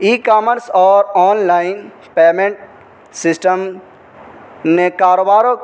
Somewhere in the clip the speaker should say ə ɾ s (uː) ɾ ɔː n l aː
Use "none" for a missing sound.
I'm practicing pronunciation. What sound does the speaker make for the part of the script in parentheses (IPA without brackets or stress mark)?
ɔː